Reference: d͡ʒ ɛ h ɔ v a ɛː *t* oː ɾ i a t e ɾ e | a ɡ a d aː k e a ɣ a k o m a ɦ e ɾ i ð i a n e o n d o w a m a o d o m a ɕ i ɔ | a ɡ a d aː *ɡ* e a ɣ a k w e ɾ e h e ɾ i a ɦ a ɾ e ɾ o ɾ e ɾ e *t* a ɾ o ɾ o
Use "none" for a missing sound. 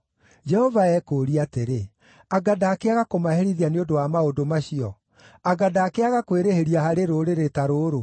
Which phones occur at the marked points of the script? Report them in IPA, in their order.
k, k, t

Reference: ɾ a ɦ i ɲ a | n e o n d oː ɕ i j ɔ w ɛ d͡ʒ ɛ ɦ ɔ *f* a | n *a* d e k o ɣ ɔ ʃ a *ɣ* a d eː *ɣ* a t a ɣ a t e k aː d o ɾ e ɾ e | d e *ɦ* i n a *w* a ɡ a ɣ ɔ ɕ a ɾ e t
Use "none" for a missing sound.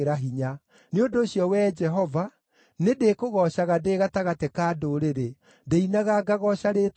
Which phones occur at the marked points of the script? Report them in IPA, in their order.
v, e, ɣ, ɣ, none, ɣ

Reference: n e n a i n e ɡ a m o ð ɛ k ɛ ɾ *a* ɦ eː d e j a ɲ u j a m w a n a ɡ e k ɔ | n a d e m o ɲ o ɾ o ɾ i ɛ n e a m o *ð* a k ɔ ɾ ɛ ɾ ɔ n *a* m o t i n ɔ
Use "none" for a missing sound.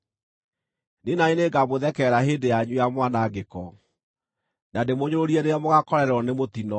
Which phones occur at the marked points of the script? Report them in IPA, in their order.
a, ɣ, e

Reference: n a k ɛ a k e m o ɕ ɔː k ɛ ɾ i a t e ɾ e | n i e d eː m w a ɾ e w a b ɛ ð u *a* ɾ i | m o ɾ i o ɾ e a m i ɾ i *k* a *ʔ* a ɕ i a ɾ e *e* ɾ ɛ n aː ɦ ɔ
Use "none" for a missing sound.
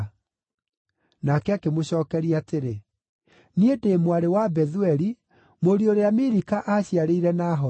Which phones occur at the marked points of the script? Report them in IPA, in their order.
ɛ, k, ʔ, i

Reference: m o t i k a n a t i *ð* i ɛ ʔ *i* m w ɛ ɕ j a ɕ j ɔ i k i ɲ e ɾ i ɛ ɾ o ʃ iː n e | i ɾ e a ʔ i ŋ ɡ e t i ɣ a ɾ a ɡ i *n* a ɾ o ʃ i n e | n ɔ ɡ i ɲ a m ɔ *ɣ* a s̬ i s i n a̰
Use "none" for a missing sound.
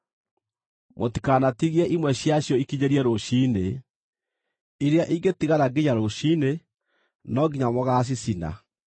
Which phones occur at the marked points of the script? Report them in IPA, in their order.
ɣ, i, ɲ, ɣ

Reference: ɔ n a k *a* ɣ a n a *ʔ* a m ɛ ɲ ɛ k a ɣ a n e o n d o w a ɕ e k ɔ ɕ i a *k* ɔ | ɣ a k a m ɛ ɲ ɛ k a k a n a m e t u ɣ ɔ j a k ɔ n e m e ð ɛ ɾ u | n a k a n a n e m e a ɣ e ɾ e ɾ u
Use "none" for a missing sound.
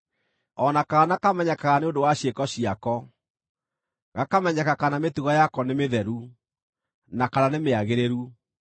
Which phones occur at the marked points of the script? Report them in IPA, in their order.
a, k, k

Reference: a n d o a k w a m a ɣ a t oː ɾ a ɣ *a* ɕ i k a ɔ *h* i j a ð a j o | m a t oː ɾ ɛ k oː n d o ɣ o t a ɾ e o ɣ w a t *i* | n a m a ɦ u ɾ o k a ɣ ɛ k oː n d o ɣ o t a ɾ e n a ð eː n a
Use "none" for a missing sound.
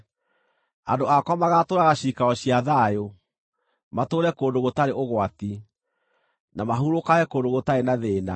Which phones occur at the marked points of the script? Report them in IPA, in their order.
a, ɕ, i

